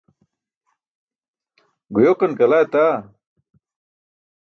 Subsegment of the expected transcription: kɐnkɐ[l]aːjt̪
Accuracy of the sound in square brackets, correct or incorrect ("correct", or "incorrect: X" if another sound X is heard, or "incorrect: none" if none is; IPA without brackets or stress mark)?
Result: correct